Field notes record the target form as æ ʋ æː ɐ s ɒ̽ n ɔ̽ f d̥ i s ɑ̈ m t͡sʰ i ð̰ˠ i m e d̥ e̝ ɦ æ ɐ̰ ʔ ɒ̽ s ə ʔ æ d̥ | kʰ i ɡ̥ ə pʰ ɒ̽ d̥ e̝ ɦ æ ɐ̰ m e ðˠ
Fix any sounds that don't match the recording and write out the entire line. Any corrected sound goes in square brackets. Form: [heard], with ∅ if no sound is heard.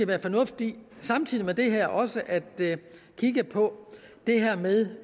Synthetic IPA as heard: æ ʋ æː ɐ [f] ɒ̽ n ɔ̽ f d̥ i s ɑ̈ m t͡sʰ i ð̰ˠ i m e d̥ e̝ ɦ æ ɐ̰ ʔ ɒ̽ s ə ʔ æ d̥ | kʰ i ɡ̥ ə pʰ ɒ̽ d̥ e̝ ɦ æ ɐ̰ m e ðˠ